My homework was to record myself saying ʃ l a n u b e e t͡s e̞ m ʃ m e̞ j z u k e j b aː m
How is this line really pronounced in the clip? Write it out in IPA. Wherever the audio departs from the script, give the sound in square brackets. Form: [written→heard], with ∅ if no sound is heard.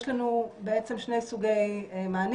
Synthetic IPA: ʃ l a n u b e e t͡s e̞ m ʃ [m→n] e̞ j [z→s] u [k→ɡ] e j [b→m] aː [m→n]